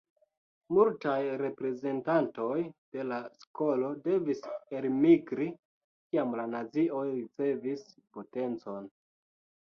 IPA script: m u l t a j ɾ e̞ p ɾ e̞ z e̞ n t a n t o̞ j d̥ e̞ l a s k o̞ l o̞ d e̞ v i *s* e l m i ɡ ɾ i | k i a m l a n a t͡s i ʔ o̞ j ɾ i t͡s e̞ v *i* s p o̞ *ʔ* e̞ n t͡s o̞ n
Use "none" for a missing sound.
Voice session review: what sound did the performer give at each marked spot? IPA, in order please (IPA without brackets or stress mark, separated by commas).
s, i, t